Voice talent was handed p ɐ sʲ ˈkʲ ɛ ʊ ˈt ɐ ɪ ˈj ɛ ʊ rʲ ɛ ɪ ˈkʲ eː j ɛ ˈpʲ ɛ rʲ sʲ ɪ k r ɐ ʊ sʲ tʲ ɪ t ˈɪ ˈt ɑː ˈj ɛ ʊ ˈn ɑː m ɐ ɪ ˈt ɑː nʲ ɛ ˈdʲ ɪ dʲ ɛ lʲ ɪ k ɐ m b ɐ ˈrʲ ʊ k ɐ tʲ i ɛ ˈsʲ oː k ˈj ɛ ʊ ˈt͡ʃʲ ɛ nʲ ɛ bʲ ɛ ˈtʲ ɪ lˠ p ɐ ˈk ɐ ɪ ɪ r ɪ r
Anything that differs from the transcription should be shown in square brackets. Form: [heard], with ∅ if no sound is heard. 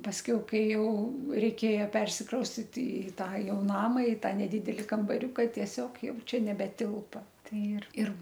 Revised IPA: p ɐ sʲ ˈkʲ ɛ ʊ [ˈk] ɐ ɪ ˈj ɛ ʊ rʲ ɛ ɪ ˈkʲ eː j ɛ ˈpʲ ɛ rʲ sʲ ɪ k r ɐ ʊ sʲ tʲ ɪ t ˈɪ ˈt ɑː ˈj ɛ ʊ ˈn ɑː m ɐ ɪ ˈt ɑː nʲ ɛ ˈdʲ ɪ dʲ ɛ lʲ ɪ k ɐ m b ɐ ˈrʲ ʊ k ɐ tʲ i ɛ ˈsʲ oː k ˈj ɛ ʊ ˈt͡ʃʲ ɛ nʲ ɛ bʲ ɛ ˈtʲ ɪ lˠ p ɐ [ˈt] ɐ ɪ ɪ r ɪ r